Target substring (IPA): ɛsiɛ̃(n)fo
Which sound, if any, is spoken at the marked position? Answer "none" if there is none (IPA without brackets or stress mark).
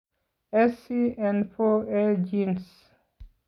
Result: n